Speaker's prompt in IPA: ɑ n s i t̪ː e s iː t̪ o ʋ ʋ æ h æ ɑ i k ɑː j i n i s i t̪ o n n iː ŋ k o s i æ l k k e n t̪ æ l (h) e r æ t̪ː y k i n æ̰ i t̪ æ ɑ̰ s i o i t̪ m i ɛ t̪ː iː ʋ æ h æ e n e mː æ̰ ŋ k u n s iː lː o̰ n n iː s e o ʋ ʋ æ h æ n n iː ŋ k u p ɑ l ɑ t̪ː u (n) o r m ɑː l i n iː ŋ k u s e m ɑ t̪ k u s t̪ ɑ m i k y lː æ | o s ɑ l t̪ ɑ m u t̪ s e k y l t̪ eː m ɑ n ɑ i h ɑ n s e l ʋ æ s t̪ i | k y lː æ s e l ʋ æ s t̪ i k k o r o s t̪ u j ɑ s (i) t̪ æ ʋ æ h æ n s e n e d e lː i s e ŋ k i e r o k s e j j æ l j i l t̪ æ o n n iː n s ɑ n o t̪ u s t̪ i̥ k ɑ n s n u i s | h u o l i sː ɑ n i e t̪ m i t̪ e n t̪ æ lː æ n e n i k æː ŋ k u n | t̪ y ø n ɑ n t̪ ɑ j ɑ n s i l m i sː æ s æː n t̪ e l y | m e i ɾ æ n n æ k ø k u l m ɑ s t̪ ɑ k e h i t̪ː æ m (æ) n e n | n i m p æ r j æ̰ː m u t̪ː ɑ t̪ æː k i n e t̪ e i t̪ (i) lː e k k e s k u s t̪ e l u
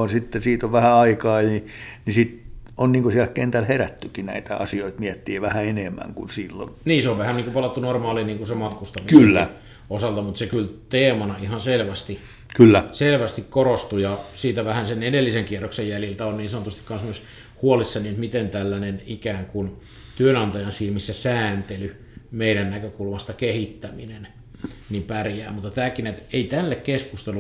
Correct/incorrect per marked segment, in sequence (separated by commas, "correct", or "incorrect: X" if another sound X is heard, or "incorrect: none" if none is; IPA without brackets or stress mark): correct, correct, incorrect: iː, incorrect: i, incorrect: æ